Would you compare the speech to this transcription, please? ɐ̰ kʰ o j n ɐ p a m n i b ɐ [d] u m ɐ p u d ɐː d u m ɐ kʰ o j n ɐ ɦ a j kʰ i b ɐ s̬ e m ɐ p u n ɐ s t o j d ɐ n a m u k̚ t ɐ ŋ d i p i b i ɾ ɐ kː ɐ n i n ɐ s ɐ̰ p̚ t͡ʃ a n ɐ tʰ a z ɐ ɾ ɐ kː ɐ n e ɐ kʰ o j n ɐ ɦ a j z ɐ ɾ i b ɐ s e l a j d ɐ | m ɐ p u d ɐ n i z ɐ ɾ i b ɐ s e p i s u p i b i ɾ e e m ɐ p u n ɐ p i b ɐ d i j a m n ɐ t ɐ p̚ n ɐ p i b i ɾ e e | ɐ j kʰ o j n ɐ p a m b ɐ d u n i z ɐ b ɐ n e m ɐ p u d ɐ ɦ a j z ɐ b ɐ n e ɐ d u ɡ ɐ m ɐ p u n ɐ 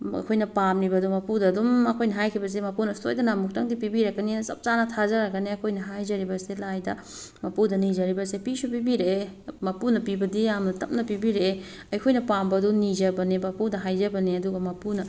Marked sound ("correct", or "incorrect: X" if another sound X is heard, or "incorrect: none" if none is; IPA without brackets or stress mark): correct